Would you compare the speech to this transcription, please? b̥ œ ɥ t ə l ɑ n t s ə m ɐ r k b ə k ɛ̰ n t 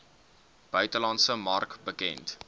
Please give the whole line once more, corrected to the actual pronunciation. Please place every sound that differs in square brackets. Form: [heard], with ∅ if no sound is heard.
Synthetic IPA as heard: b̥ œ ɥ t ə l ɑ n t s ə m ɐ r k b ə k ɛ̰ n t